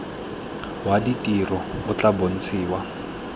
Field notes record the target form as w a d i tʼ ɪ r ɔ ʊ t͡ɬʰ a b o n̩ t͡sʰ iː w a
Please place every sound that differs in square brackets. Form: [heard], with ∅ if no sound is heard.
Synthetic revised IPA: w a d i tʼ [i] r ɔ ʊ [t͡ɬ] a b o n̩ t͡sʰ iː w a